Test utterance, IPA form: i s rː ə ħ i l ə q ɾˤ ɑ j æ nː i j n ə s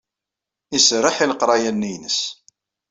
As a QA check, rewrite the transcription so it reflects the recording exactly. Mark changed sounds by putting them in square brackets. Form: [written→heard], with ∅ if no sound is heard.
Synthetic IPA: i s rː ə ħ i l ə q ɾˤ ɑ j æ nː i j n ə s